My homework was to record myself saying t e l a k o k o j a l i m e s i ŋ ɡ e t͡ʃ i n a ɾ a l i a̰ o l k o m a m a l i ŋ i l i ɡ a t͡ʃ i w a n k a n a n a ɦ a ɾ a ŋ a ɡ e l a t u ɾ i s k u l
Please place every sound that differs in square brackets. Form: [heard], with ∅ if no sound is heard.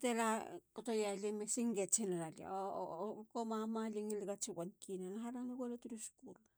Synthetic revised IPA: t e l a k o [t] o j a l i m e s i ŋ ɡ e t͡ʃ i n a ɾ a l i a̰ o [∅] k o m a m a l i ŋ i l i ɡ a t͡ʃ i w a n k [i] n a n a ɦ a ɾ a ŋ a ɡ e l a t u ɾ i s k u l